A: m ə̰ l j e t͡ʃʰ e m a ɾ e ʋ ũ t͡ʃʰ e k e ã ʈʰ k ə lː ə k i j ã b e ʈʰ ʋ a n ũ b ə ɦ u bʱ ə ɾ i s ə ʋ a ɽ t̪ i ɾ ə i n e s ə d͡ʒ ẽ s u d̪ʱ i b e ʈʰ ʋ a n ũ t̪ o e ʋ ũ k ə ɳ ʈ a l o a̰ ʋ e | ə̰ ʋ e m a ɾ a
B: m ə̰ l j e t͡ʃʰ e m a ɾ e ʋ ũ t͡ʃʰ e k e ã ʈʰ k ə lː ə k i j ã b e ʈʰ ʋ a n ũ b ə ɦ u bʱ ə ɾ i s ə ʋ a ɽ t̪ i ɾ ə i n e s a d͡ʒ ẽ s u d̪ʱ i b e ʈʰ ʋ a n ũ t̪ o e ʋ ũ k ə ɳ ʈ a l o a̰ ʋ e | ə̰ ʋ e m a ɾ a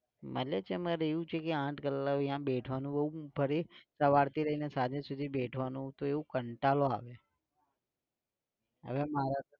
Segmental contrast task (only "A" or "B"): B